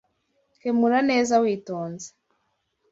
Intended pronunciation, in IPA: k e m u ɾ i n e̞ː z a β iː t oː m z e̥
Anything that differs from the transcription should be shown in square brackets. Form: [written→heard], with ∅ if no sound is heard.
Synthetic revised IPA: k e m u ɾ [i→a] n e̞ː z a [β→w] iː t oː [m→n] z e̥